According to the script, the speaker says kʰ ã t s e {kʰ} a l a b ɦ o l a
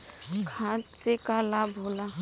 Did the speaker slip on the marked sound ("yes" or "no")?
yes